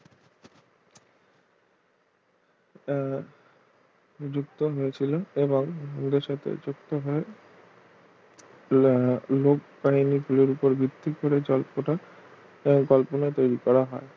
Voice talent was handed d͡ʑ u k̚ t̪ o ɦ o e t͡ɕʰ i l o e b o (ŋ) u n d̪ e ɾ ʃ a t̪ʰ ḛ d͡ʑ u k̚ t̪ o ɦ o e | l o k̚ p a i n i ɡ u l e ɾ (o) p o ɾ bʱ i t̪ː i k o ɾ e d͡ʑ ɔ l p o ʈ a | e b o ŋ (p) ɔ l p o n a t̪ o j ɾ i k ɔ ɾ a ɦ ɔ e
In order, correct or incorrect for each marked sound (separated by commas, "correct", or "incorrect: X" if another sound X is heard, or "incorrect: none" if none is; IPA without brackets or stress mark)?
correct, incorrect: u, incorrect: k